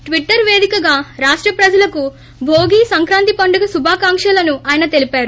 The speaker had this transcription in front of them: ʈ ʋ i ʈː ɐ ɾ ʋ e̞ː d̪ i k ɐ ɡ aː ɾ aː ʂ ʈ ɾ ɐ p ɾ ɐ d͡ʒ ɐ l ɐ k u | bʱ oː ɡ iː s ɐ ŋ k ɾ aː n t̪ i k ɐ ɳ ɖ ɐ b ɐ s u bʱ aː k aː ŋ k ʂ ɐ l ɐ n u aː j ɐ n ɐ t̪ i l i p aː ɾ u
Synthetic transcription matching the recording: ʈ ʋ i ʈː ɐ ɾ ʋ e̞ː d̪ i k ɐ ɡ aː ɾ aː ʂ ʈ ɾ ɐ p ɾ ɐ d͡ʒ ɐ l ɐ k u | bʱ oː ɡ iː s ɐ ŋ k ɾ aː n t̪ i p ɐ ɳ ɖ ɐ ɡ ɐ s u bʱ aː k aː ŋ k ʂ ɐ l ɐ n u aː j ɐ n ɐ t̪ e l i p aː ɾ u